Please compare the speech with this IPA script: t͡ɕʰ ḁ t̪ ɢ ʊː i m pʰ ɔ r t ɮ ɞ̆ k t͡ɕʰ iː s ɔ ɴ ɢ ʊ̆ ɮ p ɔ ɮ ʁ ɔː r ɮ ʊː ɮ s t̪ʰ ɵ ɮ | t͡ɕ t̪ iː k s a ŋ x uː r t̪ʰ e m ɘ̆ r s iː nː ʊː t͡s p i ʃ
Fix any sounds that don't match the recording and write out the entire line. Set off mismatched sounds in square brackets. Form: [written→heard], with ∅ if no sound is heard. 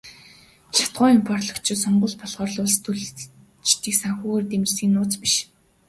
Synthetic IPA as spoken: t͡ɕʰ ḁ t̪ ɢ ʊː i m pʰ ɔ r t ɮ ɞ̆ k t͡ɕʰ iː s ɔ ɴ ɢ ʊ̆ ɮ p ɔ ɮ ʁ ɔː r ɮ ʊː ɮ s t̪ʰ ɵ ɮ | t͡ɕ t̪ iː k s a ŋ x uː r [t̪ʰ→t̪] e m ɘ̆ r s iː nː ʊː t͡s p i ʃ